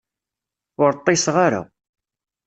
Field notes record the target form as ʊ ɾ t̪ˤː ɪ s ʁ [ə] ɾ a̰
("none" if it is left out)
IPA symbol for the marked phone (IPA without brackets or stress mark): a